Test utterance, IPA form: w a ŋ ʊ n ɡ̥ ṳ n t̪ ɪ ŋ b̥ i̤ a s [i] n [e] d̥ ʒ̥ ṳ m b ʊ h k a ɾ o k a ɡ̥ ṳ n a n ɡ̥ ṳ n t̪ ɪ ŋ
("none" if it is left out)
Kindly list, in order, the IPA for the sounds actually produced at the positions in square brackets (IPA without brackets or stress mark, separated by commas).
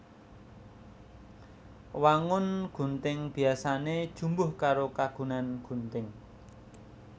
a, e